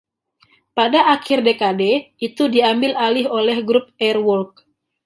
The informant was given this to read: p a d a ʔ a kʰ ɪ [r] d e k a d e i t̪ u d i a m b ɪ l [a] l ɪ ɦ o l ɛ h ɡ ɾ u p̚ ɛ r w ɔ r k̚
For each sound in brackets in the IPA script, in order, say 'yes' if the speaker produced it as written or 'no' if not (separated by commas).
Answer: yes, yes